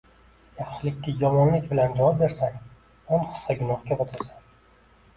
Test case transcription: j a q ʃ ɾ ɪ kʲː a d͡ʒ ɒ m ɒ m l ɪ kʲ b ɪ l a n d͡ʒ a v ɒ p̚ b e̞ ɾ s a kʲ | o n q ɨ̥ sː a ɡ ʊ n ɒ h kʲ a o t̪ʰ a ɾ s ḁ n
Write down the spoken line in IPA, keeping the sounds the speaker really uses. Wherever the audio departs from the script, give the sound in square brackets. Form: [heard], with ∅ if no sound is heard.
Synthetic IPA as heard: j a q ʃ [l] ɪ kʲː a d͡ʒ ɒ m ɒ [n] l ɪ kʲ b ɪ l a n d͡ʒ a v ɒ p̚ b e̞ ɾ s a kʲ | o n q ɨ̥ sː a ɡ ʊ n ɒ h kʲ a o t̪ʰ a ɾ s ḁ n